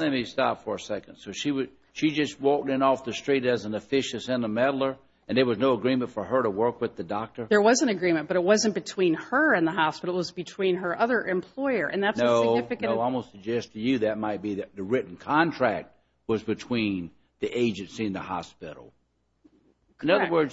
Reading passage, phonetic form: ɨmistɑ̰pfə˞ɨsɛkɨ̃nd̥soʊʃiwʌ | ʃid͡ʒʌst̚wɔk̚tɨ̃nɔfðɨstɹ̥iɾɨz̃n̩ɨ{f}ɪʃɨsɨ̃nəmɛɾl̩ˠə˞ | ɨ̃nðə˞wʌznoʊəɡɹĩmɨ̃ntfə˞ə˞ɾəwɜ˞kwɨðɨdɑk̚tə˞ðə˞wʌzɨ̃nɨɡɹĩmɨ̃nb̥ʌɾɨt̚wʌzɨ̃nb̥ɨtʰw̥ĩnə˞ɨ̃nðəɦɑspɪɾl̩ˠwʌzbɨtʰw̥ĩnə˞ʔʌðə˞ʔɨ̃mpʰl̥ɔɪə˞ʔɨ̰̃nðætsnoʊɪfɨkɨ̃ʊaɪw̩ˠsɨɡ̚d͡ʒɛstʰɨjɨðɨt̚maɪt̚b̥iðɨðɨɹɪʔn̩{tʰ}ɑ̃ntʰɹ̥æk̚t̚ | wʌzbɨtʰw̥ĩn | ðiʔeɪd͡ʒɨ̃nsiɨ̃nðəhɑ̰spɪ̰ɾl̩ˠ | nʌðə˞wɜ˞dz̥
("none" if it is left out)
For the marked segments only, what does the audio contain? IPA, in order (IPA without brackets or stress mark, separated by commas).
f, kʰ